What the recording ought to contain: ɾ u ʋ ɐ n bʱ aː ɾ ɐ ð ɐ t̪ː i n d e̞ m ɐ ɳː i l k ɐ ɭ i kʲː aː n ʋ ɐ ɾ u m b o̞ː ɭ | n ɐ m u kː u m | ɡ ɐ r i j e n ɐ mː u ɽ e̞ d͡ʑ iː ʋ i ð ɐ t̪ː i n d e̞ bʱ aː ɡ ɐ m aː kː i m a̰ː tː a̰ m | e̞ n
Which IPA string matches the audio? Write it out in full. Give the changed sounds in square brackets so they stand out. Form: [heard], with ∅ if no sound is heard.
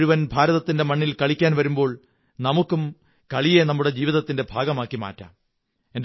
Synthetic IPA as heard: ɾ u ʋ ɐ n bʱ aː ɾ ɐ ð ɐ t̪ː i n d e̞ m ɐ ɳː i l k ɐ ɭ i kʲː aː n ʋ ɐ ɾ u m b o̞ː ɭ | n ɐ m u kː u m | [k] ɐ [ɭ] i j e n ɐ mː u ɽ e̞ d͡ʑ iː ʋ i ð ɐ t̪ː i n d e̞ bʱ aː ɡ ɐ m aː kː i m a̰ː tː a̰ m | e̞ n